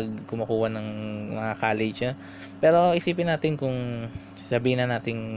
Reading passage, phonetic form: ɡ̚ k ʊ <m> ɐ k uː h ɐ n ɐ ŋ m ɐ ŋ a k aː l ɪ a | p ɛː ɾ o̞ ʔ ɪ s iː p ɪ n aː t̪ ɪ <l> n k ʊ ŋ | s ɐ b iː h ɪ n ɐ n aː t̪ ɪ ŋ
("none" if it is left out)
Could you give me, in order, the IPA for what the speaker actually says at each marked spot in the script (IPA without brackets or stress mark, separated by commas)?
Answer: m, none